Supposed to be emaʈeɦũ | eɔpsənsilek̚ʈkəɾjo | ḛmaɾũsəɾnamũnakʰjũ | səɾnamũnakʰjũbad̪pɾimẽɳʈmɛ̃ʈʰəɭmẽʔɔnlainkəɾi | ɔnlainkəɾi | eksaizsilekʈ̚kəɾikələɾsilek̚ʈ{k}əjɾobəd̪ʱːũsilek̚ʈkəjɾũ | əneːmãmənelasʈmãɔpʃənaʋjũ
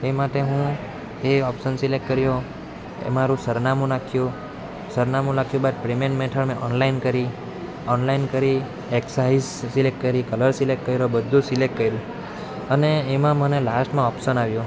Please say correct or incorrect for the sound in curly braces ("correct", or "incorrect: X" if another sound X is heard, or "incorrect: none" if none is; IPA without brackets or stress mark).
correct